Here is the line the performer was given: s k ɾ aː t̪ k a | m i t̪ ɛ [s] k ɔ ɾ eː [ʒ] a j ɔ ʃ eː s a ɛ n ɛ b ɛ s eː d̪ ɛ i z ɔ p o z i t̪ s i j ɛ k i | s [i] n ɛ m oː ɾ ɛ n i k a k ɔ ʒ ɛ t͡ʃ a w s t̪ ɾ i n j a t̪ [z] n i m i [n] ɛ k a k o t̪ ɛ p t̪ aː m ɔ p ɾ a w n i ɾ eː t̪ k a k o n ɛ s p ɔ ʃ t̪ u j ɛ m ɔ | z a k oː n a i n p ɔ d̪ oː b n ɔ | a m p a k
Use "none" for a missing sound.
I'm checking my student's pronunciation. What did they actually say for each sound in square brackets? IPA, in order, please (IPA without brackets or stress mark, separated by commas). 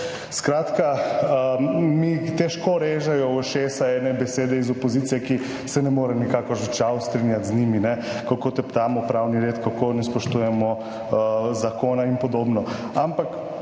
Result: ʃ, ʒ, ɛ, z, n